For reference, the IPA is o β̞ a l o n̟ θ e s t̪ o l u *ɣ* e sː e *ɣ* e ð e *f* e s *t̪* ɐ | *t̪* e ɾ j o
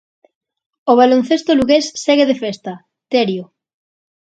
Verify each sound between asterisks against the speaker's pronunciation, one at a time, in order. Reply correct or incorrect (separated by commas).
correct, correct, correct, correct, correct